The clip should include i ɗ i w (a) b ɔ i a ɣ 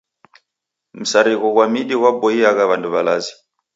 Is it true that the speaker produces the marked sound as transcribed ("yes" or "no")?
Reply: yes